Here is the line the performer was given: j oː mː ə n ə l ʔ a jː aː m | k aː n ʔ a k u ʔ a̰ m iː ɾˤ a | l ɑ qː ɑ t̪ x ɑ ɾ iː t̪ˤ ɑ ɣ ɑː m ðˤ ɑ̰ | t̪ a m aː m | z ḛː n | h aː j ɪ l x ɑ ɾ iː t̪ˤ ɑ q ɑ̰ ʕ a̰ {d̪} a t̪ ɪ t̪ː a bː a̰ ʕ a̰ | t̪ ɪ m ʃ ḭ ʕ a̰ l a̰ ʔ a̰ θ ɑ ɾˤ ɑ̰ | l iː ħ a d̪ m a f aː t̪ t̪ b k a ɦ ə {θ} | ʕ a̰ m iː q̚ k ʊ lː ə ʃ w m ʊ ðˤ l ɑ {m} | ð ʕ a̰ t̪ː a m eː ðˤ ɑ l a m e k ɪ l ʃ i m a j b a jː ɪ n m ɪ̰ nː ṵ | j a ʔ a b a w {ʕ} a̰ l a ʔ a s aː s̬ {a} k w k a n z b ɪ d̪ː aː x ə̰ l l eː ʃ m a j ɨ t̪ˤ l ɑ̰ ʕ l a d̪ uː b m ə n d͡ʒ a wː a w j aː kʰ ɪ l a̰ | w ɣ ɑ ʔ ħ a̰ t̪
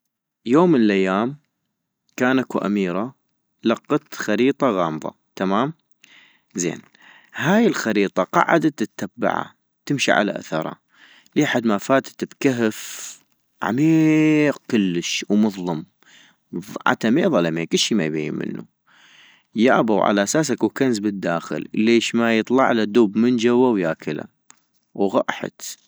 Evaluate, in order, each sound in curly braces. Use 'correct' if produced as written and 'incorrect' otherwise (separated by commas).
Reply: correct, incorrect, correct, correct, correct